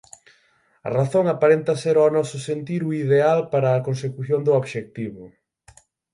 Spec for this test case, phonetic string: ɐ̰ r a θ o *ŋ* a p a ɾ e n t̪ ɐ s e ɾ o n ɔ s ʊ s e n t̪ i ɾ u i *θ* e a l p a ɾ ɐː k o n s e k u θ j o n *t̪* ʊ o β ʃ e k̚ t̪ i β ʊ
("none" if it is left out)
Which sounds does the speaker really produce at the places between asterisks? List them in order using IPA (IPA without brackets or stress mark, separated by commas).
ŋ, ð, d̪